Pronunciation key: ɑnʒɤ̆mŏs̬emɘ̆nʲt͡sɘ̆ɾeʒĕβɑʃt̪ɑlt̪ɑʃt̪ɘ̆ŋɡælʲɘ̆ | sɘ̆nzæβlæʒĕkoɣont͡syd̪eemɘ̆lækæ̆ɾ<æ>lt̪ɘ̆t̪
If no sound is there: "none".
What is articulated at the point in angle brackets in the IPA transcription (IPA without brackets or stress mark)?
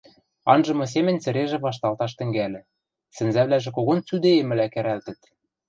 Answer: æ